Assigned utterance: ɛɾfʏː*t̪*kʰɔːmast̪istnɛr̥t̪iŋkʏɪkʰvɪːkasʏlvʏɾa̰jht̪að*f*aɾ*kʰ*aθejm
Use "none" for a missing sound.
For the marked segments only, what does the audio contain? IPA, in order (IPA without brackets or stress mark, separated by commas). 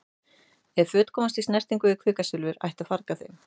t̪, f, k